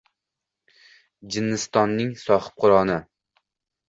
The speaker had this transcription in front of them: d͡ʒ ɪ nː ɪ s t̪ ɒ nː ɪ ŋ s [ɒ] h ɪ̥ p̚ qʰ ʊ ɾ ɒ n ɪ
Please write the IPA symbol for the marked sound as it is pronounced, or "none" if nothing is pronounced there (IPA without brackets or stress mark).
ɒ